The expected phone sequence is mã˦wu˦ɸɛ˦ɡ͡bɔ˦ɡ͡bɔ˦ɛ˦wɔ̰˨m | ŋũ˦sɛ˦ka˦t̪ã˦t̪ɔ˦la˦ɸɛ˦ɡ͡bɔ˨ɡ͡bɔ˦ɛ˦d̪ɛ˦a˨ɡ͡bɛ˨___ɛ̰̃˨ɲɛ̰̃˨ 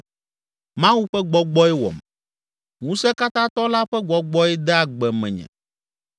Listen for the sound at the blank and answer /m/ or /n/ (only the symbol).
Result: m